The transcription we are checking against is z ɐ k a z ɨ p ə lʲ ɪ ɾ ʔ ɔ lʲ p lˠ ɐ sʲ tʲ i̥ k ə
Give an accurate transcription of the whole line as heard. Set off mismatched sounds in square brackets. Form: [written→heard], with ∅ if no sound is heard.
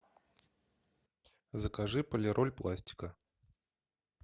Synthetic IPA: z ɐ k a [z→ʐ] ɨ p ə lʲ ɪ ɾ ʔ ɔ lʲ p lˠ [ɐ→a] sʲ tʲ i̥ k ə